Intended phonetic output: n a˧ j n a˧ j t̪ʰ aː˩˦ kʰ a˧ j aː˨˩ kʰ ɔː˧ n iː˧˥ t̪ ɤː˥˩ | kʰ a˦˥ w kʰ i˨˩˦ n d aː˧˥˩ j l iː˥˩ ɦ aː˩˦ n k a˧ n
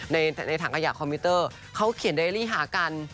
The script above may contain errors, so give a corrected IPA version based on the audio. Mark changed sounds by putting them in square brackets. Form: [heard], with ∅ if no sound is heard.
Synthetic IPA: n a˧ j n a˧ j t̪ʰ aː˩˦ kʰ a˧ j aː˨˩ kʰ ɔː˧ [m] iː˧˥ t̪ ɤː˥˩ | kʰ a˦˥ w kʰ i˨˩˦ n d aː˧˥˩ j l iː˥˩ ɦ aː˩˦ [∅] k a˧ n